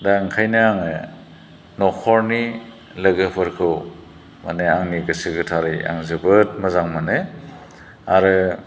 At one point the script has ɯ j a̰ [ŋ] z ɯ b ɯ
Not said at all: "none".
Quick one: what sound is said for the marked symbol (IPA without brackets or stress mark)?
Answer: ŋ